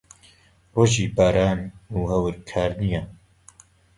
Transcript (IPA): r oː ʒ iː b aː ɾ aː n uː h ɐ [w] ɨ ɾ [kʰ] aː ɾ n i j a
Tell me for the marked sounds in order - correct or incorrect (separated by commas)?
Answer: correct, correct